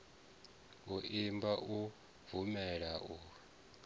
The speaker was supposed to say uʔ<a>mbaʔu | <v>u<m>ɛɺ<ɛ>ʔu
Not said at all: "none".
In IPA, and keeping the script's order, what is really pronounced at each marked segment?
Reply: i, v, m, a

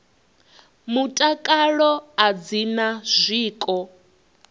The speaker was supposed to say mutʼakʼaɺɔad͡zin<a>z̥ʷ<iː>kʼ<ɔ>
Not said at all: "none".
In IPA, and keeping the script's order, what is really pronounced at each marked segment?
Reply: a, iː, ɔ

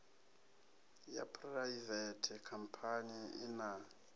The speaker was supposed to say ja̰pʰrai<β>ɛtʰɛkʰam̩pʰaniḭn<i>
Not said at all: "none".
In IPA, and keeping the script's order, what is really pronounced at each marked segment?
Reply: v, a

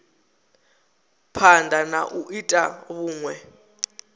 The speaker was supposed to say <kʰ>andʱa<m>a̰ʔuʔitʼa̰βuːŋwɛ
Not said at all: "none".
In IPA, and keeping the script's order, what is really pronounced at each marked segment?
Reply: pʰ, n

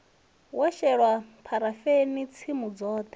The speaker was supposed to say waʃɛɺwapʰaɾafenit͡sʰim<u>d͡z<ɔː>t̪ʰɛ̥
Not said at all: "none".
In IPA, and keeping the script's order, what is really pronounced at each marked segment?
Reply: u, ɔː

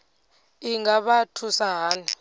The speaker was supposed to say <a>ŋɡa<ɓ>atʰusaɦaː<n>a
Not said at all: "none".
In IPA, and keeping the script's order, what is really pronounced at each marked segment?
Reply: i, ɓ, n

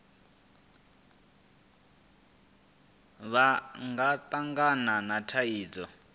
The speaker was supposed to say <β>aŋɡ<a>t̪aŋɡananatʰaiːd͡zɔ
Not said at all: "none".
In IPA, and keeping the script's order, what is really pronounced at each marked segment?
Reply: β, a

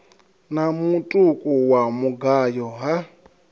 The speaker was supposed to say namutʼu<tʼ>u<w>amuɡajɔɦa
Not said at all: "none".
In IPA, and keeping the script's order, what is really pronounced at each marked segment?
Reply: kʼ, w

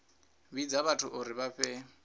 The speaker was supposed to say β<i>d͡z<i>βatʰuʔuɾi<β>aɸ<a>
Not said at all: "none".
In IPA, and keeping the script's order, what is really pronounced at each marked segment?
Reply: i, a, β, ɛ

